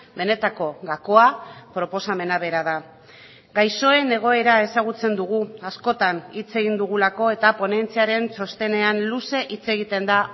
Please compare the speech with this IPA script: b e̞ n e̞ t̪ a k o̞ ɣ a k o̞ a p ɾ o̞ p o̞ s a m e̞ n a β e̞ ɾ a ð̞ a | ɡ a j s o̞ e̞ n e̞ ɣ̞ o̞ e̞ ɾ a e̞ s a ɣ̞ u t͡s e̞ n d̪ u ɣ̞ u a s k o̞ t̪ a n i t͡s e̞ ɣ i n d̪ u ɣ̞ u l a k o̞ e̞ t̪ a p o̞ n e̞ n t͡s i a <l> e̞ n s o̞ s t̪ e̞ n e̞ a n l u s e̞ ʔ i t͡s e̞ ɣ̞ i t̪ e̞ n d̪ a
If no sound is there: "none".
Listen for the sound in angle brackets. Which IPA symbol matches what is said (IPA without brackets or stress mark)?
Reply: ɾ